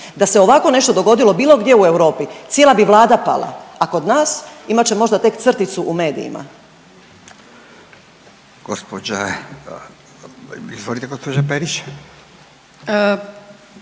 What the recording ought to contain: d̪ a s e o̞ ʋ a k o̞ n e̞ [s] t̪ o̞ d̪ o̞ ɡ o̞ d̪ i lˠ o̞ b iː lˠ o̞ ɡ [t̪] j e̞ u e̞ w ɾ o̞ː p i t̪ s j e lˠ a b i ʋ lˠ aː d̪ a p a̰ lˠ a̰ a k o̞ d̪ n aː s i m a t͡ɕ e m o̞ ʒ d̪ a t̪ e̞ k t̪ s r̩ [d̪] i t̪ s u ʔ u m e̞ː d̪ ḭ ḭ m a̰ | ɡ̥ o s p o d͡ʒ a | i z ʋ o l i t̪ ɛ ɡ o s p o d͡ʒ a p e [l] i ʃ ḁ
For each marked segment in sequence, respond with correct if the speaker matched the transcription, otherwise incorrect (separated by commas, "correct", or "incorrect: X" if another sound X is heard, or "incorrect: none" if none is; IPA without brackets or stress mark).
incorrect: ʃ, incorrect: d̪, incorrect: t̪, incorrect: ɾ